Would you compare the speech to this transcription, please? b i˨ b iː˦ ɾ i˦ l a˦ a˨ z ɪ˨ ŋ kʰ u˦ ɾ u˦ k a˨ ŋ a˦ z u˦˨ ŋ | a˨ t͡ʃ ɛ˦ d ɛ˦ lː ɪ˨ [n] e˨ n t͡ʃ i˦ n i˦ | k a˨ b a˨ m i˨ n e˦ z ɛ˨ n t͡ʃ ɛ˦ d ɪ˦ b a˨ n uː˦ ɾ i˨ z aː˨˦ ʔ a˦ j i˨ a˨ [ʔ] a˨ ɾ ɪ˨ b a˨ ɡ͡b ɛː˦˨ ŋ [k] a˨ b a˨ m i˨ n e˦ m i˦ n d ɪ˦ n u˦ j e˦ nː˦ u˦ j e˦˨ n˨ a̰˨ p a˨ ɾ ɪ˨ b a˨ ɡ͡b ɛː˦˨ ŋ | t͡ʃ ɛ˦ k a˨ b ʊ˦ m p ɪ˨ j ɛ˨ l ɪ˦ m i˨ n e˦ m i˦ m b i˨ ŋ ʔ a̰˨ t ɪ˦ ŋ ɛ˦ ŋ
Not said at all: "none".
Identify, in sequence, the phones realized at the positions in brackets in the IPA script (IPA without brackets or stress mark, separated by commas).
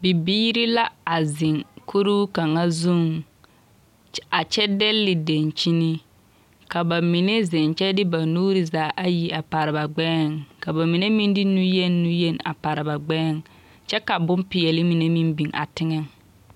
d, p, k